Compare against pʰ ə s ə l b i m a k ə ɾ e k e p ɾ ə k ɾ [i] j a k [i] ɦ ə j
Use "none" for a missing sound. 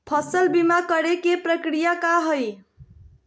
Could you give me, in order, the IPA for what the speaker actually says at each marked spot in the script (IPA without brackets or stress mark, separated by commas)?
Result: i, a